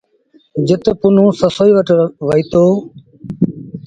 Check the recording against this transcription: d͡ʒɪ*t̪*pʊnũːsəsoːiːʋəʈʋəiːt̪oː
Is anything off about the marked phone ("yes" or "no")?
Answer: no